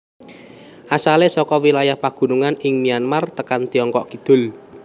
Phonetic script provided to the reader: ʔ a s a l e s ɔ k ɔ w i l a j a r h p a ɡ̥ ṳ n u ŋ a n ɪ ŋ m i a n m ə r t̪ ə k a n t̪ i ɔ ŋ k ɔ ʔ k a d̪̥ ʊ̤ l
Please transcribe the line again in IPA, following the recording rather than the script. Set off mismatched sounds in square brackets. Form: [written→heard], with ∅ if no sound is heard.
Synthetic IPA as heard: ʔ a s a l e s ɔ k ɔ w i l a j a [r→∅] h p a ɡ̥ ṳ n u ŋ a n ɪ ŋ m i a n m [ə→a] r t̪ ə k a n t̪ i ɔ ŋ k ɔ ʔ k [a→i] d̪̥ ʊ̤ l